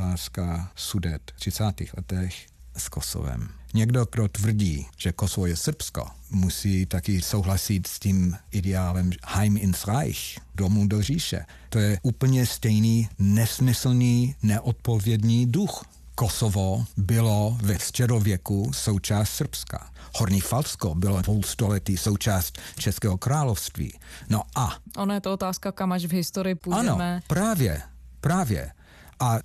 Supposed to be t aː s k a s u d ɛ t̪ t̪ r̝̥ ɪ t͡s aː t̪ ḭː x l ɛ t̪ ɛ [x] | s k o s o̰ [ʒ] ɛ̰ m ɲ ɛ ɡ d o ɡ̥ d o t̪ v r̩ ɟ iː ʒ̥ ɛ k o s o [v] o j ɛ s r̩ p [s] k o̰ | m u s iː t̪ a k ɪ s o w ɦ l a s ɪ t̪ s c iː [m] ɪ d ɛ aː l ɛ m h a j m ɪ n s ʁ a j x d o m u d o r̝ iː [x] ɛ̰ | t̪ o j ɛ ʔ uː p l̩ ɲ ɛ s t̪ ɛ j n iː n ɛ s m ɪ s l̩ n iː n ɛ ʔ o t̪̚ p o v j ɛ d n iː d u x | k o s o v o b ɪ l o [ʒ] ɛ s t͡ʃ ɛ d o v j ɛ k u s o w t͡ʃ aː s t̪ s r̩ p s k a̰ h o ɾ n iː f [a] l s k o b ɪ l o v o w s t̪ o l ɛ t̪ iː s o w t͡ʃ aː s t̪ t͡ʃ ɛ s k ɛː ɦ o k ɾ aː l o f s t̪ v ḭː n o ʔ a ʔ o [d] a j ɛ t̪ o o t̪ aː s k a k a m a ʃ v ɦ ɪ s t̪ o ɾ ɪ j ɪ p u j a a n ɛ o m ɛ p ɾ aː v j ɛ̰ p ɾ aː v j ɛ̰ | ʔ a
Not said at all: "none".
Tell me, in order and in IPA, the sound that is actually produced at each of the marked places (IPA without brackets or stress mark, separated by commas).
x, v, v, s, m, ʃ, v, a, n